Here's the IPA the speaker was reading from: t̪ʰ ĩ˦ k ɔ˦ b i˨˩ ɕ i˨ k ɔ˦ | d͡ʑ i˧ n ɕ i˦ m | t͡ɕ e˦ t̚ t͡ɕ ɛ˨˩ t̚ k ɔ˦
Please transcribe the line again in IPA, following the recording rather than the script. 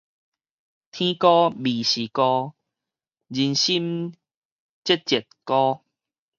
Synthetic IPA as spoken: t̪ʰ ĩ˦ k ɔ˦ b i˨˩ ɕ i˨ k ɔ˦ | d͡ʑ i˧ n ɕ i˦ m | t͡ɕ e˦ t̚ t͡ɕ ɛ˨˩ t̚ k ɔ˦